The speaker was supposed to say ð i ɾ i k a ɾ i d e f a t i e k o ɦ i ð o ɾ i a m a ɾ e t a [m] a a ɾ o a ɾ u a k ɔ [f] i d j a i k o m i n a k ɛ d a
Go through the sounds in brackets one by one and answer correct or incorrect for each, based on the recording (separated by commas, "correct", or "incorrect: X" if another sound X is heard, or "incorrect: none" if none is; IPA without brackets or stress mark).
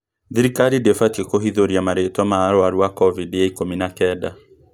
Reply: correct, incorrect: v